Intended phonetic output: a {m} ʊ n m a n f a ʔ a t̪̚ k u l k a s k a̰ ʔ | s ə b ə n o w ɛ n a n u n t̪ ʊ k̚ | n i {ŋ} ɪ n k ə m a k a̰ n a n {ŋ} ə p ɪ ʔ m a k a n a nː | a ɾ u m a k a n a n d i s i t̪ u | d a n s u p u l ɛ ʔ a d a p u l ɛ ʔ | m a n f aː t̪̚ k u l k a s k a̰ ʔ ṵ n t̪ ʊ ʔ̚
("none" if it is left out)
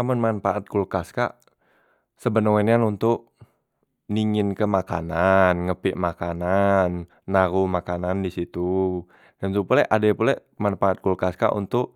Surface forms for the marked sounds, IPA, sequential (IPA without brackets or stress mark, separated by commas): m, ŋ, ŋ